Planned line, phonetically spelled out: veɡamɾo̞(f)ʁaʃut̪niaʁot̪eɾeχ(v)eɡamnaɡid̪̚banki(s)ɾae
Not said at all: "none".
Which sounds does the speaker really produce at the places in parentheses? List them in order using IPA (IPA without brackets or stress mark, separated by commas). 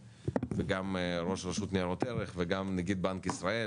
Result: ʃ, v, s